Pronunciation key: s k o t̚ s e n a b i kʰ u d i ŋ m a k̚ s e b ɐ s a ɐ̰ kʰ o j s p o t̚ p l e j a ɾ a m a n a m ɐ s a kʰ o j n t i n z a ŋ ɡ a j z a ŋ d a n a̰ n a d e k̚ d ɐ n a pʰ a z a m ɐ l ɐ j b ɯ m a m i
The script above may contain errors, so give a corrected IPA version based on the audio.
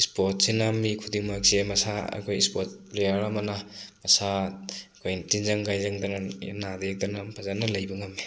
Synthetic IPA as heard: s p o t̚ s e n a m i kʰ u d i ŋ m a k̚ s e m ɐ s a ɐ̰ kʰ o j s p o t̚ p l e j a ɾ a m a n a m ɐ s a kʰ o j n t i n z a ŋ ɡ a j z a ŋ d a n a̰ n a d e k̚ d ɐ n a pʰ a z a n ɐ l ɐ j b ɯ ŋ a m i